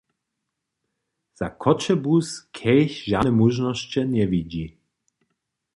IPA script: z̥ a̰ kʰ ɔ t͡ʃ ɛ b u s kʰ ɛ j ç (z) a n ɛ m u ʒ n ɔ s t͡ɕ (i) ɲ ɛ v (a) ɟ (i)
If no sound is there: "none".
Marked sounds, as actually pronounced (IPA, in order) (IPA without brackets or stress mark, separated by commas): ʒ, ɛ, i, i